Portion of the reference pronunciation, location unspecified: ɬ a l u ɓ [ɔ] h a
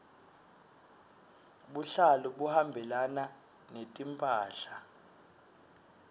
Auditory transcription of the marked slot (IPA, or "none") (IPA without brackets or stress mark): u